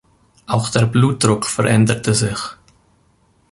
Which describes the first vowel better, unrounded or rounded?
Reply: unrounded